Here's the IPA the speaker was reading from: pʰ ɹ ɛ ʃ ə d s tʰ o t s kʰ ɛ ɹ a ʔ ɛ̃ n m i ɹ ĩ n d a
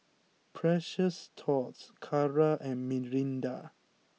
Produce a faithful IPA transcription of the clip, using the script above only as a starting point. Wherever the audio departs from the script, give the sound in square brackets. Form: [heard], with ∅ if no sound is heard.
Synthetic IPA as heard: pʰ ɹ ɛ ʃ ə [∅] s tʰ [ɔ] t s kʰ [a] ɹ a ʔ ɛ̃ n m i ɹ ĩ n d a

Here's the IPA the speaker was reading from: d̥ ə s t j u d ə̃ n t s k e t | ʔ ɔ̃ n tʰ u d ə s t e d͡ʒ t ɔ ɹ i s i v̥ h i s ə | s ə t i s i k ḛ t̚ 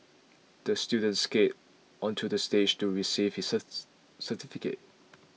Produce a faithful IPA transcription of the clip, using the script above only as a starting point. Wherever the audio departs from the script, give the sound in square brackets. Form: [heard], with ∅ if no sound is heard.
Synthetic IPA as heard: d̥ ə s t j u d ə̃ n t s k e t | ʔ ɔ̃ n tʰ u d ə s t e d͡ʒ t [u] ɹ i s i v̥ h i s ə | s ə t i [f] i k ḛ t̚

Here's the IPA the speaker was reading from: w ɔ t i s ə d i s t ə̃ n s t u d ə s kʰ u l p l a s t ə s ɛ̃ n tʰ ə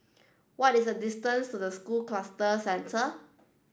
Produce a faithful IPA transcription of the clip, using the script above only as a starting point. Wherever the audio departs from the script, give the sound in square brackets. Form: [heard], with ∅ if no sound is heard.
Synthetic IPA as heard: w ɔ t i s ə d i s t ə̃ n s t u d ə s [k] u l [k] l a s t ə s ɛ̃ n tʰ ə

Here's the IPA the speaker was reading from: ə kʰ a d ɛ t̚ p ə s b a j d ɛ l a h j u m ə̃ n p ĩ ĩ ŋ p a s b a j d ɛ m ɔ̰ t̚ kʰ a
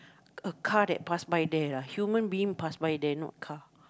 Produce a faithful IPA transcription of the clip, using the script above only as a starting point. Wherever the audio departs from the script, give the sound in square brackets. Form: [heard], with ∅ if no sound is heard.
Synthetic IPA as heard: ə kʰ a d ɛ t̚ p [a] s b a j d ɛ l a h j u m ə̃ n [b] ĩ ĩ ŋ p a s b a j d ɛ [n] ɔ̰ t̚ kʰ a

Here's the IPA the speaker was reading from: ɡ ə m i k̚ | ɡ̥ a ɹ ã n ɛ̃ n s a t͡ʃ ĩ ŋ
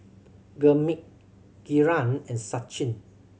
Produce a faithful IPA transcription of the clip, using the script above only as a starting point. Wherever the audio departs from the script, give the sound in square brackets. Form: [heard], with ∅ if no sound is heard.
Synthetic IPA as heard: ɡ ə m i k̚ | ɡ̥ [i] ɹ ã n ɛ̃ n s a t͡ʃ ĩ [n]

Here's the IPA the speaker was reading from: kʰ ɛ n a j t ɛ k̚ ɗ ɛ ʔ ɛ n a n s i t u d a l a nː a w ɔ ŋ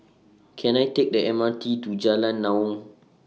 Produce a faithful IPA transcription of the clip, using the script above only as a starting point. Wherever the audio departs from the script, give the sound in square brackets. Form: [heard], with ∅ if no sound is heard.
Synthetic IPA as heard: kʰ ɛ n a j t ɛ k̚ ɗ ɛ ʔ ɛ [m] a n [t] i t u [d͡ʒ] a l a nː a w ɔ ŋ

